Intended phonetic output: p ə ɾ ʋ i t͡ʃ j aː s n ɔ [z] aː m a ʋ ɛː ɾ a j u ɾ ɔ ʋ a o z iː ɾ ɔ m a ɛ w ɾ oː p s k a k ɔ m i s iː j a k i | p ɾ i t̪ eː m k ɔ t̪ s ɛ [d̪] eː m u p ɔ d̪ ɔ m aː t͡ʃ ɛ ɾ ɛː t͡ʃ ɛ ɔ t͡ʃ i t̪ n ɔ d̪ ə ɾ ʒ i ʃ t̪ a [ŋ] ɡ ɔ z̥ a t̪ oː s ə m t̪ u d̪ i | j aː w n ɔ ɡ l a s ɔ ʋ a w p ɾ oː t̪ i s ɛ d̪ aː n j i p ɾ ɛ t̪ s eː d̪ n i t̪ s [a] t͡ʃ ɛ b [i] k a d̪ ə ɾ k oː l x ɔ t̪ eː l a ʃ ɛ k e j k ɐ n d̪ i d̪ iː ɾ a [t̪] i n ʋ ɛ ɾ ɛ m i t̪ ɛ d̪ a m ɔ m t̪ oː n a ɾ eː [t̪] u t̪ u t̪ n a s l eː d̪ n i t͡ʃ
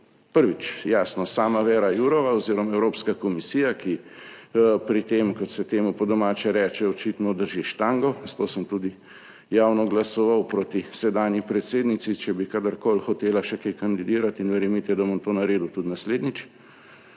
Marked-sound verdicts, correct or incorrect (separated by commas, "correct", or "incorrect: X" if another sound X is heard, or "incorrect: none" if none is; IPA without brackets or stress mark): incorrect: s, incorrect: t̪, correct, incorrect: i, correct, correct, incorrect: d̪